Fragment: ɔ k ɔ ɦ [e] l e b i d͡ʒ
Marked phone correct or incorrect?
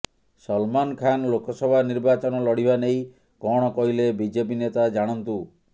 incorrect